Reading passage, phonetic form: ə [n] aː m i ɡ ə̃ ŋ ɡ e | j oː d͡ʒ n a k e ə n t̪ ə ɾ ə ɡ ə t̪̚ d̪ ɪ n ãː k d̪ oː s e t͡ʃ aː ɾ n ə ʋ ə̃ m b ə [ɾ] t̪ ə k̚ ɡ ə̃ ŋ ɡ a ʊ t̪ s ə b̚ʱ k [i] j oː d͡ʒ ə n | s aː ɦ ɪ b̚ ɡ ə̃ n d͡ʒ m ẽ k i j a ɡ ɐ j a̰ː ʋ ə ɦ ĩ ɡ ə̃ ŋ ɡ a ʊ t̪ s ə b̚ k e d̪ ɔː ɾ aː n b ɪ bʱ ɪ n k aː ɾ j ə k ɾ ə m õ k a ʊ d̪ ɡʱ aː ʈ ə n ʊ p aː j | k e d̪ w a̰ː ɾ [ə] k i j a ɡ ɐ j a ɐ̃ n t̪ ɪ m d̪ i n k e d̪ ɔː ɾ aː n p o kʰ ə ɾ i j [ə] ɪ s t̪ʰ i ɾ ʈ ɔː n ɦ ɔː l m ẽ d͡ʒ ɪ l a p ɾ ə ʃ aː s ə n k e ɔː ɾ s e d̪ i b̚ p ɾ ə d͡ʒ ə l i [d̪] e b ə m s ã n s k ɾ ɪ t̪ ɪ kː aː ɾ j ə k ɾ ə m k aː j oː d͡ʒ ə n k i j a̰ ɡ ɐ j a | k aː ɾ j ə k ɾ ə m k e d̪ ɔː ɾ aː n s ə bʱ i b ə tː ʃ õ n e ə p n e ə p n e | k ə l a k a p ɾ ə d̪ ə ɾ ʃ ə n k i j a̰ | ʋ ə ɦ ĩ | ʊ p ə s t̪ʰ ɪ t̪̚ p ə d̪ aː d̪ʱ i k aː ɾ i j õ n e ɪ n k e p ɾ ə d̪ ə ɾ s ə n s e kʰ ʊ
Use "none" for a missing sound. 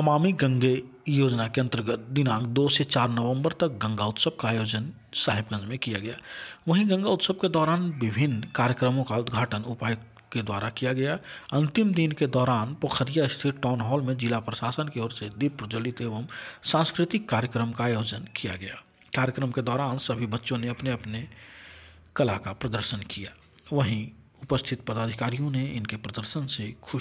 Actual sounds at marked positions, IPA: m, ɾ, a, a, a, t̪

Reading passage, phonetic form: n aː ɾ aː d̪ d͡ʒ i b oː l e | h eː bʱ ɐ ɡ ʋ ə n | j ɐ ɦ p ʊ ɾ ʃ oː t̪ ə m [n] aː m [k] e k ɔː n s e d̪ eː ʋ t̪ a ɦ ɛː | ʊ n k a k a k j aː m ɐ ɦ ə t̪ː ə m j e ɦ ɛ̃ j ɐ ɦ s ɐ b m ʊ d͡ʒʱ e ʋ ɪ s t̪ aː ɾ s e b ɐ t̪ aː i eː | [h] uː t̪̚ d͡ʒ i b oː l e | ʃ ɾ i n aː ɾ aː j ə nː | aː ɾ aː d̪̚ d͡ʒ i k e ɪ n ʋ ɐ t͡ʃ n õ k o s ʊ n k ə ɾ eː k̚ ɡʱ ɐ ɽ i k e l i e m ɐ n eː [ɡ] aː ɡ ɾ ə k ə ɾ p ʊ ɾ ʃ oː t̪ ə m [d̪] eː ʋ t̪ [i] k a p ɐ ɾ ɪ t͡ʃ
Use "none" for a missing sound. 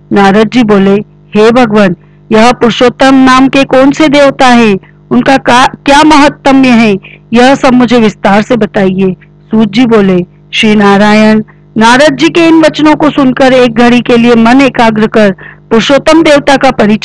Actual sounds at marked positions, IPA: n, k, s, k, d̪, a

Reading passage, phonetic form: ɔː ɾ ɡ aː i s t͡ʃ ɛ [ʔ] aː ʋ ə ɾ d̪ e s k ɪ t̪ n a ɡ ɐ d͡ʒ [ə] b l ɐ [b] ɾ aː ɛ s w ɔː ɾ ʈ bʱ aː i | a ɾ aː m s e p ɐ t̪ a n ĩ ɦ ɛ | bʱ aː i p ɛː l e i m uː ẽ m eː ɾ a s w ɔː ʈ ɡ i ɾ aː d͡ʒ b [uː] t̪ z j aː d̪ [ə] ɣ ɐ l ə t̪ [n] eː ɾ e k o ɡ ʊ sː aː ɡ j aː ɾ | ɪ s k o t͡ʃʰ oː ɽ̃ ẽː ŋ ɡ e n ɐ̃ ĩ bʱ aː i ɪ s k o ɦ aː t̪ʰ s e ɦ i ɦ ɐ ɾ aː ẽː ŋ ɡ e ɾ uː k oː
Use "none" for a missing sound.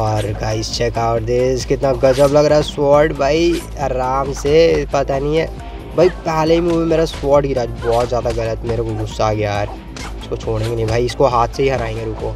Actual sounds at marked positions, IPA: k, ə, ɡ, ɔː, a, m

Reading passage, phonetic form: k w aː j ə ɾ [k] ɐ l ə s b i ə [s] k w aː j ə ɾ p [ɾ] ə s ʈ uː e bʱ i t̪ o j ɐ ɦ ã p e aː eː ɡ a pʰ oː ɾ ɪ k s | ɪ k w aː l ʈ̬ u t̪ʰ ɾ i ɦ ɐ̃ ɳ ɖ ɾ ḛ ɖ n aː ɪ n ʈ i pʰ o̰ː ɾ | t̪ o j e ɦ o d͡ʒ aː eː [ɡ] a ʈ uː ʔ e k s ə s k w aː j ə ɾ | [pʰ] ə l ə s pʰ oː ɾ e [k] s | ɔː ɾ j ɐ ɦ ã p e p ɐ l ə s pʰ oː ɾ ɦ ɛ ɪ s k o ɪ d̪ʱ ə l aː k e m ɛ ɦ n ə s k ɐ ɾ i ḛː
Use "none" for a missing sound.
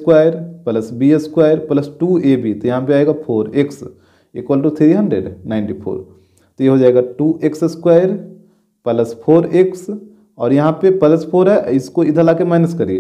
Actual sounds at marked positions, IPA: p, s, l, ɡ, p, k

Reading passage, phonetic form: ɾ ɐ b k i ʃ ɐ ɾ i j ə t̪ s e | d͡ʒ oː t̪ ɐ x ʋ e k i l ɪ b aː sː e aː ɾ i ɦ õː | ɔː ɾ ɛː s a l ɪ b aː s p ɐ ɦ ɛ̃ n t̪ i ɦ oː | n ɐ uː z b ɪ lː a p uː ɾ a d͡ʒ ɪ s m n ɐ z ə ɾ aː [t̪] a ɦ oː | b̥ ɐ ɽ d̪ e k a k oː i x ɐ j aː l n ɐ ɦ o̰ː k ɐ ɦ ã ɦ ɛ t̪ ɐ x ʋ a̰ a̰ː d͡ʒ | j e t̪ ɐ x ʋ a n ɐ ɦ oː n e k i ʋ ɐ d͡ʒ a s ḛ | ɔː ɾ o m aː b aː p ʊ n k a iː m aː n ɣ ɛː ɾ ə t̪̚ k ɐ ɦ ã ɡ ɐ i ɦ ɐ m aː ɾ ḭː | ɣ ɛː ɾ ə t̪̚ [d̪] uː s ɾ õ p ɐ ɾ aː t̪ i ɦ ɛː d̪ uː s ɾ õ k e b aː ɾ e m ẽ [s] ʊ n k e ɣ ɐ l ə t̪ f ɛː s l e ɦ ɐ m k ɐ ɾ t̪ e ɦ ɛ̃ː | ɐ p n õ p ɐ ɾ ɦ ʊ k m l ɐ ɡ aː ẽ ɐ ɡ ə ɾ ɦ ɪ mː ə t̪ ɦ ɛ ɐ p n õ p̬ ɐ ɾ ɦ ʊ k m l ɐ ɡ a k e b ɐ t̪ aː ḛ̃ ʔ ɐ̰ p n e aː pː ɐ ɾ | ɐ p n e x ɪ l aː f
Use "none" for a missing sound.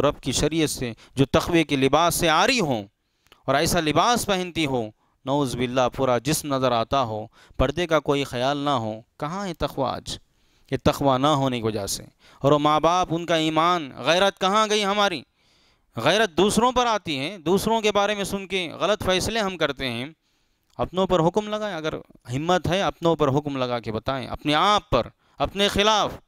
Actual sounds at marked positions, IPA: t̪, d̪, s

